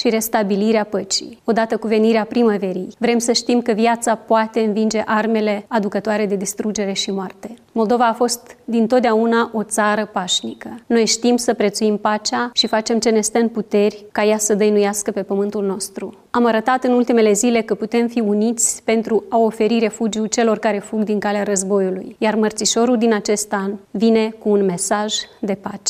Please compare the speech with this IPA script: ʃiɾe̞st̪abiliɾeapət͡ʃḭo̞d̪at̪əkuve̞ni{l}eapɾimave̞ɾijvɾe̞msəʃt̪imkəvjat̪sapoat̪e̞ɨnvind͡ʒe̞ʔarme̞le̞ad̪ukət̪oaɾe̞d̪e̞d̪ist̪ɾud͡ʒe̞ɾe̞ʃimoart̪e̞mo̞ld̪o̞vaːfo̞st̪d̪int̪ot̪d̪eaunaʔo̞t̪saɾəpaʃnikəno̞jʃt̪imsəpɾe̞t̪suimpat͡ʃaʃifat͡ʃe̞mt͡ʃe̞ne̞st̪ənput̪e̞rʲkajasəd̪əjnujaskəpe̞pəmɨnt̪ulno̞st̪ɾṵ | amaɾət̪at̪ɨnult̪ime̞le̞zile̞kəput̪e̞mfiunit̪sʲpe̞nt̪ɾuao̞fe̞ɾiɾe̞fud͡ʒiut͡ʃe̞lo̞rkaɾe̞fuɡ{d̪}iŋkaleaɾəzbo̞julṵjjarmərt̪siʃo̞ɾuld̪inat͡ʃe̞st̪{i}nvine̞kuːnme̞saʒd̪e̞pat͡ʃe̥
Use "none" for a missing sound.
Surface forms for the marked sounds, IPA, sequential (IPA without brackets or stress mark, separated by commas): ɾ, d̪, a